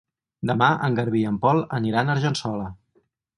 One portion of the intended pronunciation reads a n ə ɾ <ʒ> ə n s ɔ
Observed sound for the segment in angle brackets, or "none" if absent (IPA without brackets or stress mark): ʒ